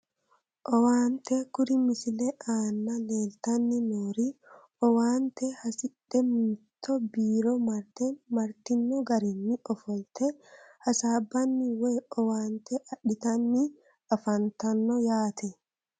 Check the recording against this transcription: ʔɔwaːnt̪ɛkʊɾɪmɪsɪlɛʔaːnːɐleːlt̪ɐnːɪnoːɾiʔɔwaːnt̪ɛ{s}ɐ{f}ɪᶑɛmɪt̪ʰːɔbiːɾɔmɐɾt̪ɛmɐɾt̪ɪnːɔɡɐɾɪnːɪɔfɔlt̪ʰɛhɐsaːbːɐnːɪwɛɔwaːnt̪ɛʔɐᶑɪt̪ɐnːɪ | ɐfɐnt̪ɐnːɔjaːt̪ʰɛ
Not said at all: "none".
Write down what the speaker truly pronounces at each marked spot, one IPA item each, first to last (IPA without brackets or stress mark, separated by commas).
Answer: h, s